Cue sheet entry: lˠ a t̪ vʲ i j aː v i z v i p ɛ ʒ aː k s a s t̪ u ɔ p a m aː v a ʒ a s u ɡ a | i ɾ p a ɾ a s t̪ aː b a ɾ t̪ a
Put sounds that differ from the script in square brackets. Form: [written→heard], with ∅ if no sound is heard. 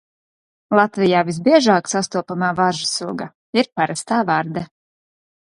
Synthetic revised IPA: lˠ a t̪ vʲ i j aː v i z [v→b] i [p→∅] ɛ ʒ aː k s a s t̪ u ɔ p a m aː v a ʒ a s u ɡ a | i ɾ p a ɾ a s t̪ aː [b→v] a ɾ [t̪→d̪] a